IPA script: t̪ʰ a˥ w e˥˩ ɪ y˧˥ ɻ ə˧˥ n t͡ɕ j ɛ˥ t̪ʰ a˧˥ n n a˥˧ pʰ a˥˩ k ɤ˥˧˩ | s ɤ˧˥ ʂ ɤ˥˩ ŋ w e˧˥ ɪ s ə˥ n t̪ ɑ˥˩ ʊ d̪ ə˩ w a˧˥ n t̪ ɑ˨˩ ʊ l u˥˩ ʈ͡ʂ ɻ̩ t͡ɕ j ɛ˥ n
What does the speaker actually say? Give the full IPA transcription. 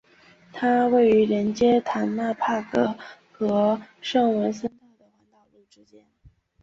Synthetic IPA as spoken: t̪ʰ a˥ w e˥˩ ɪ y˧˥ ɻ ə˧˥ n t͡ɕ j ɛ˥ t̪ʰ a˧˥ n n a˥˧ pʰ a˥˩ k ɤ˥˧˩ | x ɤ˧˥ ʂ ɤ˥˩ ŋ w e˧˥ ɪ s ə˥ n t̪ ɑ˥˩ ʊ d̪ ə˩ w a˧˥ n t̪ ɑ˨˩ ʊ l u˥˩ ʈ͡ʂ ɻ̩ t͡ɕ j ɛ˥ n

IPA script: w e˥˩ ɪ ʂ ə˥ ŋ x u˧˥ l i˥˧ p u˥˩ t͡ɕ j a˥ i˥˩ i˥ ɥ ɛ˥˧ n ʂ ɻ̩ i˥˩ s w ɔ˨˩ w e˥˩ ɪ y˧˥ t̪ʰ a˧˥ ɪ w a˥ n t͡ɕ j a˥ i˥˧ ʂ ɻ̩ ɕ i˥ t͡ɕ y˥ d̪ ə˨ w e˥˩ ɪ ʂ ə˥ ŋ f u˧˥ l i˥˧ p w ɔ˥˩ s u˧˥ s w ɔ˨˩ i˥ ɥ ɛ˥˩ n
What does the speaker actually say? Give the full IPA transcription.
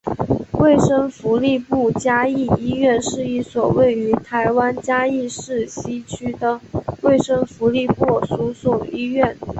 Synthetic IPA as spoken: w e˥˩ ɪ ʂ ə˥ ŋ f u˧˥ l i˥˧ p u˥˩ t͡ɕ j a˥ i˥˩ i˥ ɥ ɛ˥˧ n ʂ ɻ̩ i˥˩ s w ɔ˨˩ w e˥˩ ɪ y˧˥ t̪ʰ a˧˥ ɪ w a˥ n t͡ɕ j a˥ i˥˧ ʂ ɻ̩ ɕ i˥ t͡ɕʰ y˥ d̪ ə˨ w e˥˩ ɪ ʂ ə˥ ŋ f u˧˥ l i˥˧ p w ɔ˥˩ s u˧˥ s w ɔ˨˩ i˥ ɥ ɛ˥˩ n

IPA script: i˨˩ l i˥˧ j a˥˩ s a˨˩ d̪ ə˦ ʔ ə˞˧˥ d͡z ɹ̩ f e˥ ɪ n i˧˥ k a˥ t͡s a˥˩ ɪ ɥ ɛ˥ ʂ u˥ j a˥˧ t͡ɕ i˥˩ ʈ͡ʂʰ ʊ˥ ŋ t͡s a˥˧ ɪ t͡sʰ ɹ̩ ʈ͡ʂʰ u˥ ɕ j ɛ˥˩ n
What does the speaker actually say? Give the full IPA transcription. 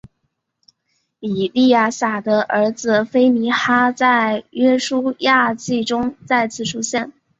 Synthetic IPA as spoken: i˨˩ l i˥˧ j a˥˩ s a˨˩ d̪ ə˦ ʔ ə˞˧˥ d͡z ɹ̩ f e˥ ɪ n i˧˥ x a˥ t͡s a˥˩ ɪ ɥ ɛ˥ ʂ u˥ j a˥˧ t͡ɕ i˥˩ ʈ͡ʂ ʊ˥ ŋ t͡s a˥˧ ɪ t͡sʰ ɹ̩ ʈ͡ʂʰ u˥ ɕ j ɛ˥˩ n

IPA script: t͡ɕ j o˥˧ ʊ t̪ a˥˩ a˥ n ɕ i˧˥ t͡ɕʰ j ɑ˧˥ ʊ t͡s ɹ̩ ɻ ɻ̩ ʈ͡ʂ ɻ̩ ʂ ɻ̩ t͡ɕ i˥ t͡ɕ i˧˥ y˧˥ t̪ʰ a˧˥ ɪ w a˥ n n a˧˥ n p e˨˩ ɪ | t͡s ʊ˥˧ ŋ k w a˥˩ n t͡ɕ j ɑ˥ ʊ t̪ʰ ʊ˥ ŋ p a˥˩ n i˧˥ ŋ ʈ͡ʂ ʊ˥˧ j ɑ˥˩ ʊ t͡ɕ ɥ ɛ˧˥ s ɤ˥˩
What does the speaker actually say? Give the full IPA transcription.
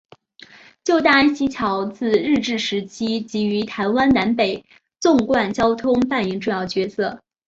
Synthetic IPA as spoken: t͡ɕ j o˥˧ ʊ t̪ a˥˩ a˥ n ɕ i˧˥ t͡ɕʰ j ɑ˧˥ ʊ t͡s ɹ̩ ɻ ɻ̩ ʈ͡ʂ ɻ̩ ʂ ɻ̩ t͡ɕʰ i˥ t͡ɕ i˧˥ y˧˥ t̪ʰ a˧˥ ɪ w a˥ n n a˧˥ n p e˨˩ ɪ | t͡s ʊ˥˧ ŋ k w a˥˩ n t͡ɕ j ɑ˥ ʊ t̪ʰ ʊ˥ ŋ p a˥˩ n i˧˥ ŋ ʈ͡ʂ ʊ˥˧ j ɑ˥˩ ʊ t͡ɕ ɥ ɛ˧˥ s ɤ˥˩

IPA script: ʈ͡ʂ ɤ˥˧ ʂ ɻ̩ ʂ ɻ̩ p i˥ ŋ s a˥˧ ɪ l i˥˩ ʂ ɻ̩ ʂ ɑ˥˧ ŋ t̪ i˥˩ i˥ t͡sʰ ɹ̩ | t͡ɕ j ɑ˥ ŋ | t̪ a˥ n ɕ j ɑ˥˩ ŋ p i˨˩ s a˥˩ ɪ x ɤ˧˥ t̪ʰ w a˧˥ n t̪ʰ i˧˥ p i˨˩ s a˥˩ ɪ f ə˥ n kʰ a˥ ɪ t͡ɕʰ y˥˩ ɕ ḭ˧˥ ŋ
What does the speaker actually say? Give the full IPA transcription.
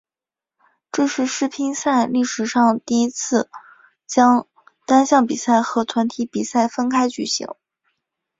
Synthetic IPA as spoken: ʈ͡ʂ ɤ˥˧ ʂ ɻ̩ ʂ ɻ̩ pʰ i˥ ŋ s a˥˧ ɪ l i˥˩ ʂ ɻ̩ ʂ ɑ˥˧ ŋ t̪ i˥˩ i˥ t͡sʰ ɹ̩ | t͡ɕ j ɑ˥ ŋ | t̪ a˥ n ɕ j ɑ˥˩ ŋ p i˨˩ s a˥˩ ɪ x ɤ˧˥ t̪ʰ w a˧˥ n t̪ʰ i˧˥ p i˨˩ s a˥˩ ɪ f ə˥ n kʰ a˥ ɪ t͡ɕ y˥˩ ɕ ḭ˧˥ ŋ

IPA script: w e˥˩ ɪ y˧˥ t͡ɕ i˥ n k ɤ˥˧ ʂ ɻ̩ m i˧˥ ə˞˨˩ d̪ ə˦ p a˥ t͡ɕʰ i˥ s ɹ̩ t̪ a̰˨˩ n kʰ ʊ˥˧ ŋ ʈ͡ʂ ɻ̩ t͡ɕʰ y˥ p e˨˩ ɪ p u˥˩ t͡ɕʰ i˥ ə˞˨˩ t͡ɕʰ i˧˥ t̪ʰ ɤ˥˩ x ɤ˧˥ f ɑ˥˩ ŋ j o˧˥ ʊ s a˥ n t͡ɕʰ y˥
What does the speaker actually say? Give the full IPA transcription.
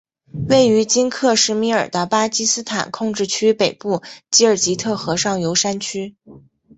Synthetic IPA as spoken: w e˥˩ ɪ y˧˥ t͡ɕ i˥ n kʰ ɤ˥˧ ʂ ɻ̩ m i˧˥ ə˞˨˩ d̪ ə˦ p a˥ t͡ɕ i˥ s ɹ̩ t̪ʰ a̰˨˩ n kʰ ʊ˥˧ ŋ ʈ͡ʂ ɻ̩ t͡ɕʰ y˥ p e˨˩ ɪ p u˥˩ t͡ɕ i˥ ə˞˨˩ t͡ɕ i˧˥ t̪ʰ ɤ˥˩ x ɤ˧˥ ʂ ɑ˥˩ ŋ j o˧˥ ʊ ʂ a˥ n t͡ɕʰ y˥

